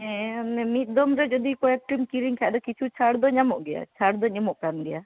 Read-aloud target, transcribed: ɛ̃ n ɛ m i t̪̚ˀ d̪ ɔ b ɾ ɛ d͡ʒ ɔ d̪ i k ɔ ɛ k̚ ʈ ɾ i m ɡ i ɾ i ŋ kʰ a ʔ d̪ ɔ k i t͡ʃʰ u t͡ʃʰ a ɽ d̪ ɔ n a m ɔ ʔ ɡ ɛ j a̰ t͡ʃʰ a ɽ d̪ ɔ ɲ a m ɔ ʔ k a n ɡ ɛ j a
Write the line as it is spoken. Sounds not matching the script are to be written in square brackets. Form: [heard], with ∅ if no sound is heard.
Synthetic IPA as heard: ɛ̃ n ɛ m i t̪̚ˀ d̪ ɔ [m] ɾ ɛ d͡ʒ ɔ d̪ i k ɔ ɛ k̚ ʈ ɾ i m [k] i ɾ i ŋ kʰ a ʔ d̪ ɔ k i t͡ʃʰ u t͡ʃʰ a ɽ d̪ ɔ [ɲ] a m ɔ ʔ ɡ ɛ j a̰ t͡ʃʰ a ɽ d̪ ɔ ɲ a m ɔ ʔ k a n ɡ ɛ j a